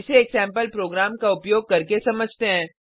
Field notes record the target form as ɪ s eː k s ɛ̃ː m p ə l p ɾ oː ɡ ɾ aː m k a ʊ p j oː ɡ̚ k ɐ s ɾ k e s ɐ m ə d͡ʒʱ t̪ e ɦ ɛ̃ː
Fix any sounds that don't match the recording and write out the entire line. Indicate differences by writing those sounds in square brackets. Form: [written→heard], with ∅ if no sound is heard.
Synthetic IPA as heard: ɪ s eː k s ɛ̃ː m p ə l p ɾ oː ɡ ɾ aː m k a ʊ p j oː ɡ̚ k ɐ [s→∅] ɾ k e s ɐ m ə d͡ʒʱ t̪ e ɦ ɛ̃ː